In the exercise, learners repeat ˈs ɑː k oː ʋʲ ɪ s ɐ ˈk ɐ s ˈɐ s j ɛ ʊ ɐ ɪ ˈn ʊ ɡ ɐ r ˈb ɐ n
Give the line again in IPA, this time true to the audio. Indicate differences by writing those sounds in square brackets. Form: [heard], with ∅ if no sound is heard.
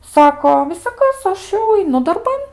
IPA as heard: ˈs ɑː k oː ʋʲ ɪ s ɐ ˈk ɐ s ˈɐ [ʃ] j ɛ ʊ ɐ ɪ ˈn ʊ [d] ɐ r ˈb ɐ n